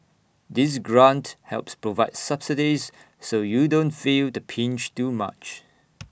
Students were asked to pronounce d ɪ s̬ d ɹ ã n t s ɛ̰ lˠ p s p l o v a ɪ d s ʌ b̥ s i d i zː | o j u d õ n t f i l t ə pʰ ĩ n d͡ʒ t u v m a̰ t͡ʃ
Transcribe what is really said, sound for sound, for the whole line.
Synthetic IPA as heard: d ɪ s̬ ɡ ɹ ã n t h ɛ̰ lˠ p s p ɹ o v a ɪ d s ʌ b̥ s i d i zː | o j u d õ n t f i l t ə pʰ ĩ n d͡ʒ t u m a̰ t͡ʃ